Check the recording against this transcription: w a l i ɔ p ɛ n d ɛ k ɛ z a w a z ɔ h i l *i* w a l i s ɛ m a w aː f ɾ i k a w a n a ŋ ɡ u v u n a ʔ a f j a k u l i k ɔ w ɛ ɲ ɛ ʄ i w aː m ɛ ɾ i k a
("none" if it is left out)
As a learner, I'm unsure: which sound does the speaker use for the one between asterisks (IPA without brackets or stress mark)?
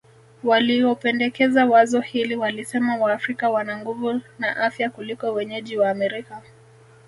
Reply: i